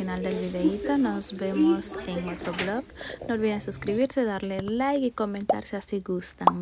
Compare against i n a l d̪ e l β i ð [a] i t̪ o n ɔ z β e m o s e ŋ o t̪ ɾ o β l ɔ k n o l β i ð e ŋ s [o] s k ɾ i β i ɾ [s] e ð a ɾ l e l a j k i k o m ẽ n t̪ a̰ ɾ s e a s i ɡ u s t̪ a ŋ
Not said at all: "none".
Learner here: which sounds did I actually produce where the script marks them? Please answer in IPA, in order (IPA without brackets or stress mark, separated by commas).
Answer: e, u, s